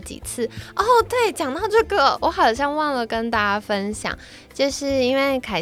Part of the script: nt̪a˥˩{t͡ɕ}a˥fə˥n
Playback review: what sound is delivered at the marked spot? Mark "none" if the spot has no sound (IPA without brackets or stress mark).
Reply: t͡ɕ